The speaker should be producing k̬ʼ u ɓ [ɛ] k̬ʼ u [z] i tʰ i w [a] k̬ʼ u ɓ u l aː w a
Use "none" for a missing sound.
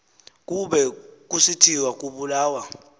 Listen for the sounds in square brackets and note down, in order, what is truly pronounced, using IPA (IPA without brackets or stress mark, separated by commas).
ɛ, s, a